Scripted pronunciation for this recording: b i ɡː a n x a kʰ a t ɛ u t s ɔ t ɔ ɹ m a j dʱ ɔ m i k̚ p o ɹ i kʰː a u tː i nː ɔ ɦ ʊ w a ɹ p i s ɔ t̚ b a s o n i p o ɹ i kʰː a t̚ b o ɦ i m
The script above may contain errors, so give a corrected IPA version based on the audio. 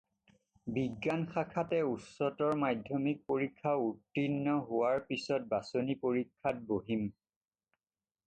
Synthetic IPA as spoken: b i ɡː a n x a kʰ a t ɛ u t s ɔ t ɔ ɹ m a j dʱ ɔ m i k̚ p o ɹ i kʰː a u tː i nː ɔ ɦ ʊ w a ɹ p i s ɔ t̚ b a s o n i p o ɹ i kʰː a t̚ b o ɦ i m